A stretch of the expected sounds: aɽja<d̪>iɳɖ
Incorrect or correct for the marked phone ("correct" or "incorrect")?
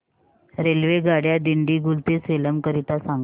correct